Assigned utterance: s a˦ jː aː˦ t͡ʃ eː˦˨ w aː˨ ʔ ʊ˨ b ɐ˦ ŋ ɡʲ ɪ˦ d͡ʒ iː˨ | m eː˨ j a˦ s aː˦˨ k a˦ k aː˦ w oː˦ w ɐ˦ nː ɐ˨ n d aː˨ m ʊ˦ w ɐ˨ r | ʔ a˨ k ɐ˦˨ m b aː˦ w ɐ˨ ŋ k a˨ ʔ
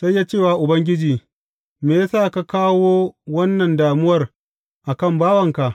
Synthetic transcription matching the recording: s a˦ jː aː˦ t͡ʃ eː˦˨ w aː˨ ʔ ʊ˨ b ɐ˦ ŋ ɡʲ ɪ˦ d͡ʒ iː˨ | m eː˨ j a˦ s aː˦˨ k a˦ k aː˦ w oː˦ w ɐ˦ nː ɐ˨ n d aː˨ m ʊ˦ w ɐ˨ r | ʔ a˨ k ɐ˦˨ m b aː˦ w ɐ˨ ŋ k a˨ ʔ